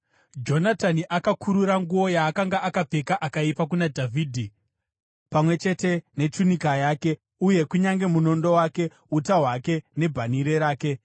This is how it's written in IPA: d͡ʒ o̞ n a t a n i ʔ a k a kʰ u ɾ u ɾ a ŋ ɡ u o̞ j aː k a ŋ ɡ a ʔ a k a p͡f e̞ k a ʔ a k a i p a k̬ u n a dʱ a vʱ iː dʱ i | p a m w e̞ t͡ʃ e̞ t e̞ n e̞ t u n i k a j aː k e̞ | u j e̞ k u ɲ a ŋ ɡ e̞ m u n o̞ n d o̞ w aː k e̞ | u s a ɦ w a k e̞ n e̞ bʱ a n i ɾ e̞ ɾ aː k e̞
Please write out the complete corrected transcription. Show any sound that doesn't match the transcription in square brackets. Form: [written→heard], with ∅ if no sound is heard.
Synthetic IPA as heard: d͡ʒ o̞ n a t a n i ʔ a k a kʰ u ɾ u ɾ a ŋ ɡ u o̞ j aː k a ŋ ɡ a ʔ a k a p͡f e̞ k a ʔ a k a i p a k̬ u n a dʱ a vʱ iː dʱ i | p a m w e̞ t͡ʃ e̞ t e̞ n e̞ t u n i k a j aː k e̞ | u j e̞ k u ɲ a ŋ ɡ e̞ m u n o̞ n d o̞ w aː k e̞ | u [s→t] a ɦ w a k e̞ n e̞ bʱ a n i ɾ e̞ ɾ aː k e̞

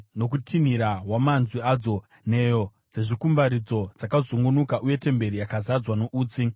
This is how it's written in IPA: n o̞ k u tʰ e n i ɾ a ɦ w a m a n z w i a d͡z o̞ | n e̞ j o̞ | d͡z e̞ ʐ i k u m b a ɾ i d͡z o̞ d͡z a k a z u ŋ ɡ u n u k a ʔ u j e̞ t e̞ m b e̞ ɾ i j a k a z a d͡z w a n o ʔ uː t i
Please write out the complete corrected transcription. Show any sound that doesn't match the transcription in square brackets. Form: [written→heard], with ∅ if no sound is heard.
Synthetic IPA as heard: n o̞ k u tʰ [e→i] n i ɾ a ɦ w a m a n z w i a d͡z o̞ | n e̞ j o̞ | d͡z e̞ ʐ i k u m b a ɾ i d͡z o̞ d͡z a k a z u ŋ ɡ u n u k a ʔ u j e̞ t e̞ m b e̞ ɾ i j a k a z a d͡z w a n o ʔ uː [t→t͡s] i

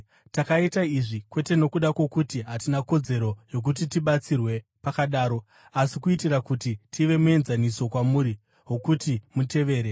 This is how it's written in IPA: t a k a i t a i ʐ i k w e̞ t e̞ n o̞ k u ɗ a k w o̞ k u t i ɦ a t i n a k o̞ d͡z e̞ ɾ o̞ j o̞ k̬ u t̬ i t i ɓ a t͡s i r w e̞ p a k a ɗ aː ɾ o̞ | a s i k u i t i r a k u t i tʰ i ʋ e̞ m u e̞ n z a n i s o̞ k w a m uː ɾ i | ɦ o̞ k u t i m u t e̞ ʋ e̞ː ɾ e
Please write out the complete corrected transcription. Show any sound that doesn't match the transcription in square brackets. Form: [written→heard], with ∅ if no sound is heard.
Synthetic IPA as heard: t a k a i t a i ʐ i k w e̞ t e̞ n o̞ k u ɗ a k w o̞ k u t i ɦ a t i n a k o̞ d͡z e̞ ɾ o̞ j o̞ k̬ u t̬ i t i ɓ a t͡s i r w e̞ p a k a ɗ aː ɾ o̞ | a s i k u i t i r a k u t i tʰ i ʋ e̞ m u e̞ n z a n i s o̞ k w a m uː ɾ i | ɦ o̞ k u t i m u t e̞ ʋ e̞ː ɾ e

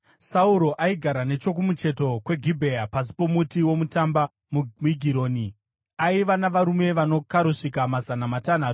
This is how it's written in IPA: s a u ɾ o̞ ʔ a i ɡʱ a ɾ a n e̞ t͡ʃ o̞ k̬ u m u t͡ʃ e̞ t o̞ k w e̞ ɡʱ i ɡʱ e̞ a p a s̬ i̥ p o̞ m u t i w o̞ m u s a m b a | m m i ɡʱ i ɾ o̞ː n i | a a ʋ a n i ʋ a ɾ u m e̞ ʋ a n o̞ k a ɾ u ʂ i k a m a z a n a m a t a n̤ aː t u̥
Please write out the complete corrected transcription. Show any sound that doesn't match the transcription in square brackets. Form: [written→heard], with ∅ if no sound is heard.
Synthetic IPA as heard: s a u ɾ o̞ ʔ a i ɡʱ a ɾ a n e̞ t͡ʃ o̞ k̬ u m u t͡ʃ e̞ t o̞ k w e̞ ɡʱ i [ɡʱ→bʱ] e̞ a p a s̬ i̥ p o̞ m u t i w o̞ m u [s→t] a m b a | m m i ɡʱ i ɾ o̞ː n i | a [a→i] ʋ a n [i→a] ʋ a ɾ u m e̞ ʋ a n o̞ k a ɾ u ʂ i k a m a z a n a m a t a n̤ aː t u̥

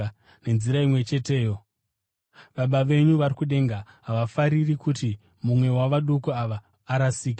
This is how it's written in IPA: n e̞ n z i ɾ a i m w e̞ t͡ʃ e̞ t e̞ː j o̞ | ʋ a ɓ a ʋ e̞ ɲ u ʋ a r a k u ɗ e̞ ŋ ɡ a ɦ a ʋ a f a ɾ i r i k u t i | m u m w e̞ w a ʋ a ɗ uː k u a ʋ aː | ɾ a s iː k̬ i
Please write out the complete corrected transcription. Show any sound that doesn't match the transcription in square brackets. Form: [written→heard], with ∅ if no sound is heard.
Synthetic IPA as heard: n e̞ n z i ɾ a i m w e̞ t͡ʃ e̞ t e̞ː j o̞ | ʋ a ɓ a ʋ e̞ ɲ u ʋ a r [a→i] k u ɗ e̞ ŋ ɡ a ɦ a ʋ a f a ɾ i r i k u t i | m u m w e̞ w a ʋ a ɗ [uː→u] k u a ʋ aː | ɾ a s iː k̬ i

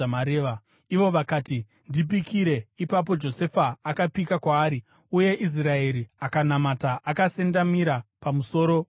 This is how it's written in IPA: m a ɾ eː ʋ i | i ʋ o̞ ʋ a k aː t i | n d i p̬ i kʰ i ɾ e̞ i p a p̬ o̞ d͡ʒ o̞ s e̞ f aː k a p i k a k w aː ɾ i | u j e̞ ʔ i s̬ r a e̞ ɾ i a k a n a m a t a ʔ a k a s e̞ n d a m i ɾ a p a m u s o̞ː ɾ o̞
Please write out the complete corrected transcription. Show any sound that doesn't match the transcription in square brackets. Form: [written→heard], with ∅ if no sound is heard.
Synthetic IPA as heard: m a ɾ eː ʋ [i→a] | i ʋ o̞ ʋ a k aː t i | n d i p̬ i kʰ i ɾ e̞ i p a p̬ o̞ d͡ʒ o̞ s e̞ f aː k a p i k a k w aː ɾ i | u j e̞ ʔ i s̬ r a e̞ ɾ i a k a n a m a t a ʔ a k a s e̞ n d a m i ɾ a p a m u s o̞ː ɾ o̞

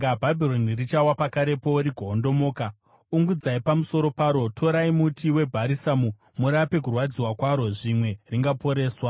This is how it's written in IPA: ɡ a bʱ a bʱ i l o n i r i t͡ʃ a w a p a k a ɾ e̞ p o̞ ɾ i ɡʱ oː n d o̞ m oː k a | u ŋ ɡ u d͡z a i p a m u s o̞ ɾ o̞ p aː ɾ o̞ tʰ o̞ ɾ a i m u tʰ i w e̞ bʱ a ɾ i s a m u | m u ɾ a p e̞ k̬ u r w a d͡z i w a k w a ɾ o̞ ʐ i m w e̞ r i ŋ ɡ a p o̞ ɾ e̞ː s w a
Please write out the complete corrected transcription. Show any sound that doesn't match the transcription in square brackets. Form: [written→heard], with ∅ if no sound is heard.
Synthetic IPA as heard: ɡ a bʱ a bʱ i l o n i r i t͡ʃ a w a p a k a ɾ e̞ p o̞ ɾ i ɡʱ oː n d o̞ m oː k a | u ŋ ɡ u d͡z a i p a m u s o̞ ɾ o̞ p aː ɾ o̞ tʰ o̞ ɾ a i m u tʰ i w e̞ bʱ a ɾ i s a m u | m u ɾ a p e̞ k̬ u r w a d͡z i w a k w a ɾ o̞ ʐ i m w e̞ r i ŋ ɡ a p o̞ ɾ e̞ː s w a

